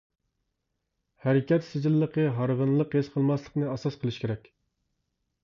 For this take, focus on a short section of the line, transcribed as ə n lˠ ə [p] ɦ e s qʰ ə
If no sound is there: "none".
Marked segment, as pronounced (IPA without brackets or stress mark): q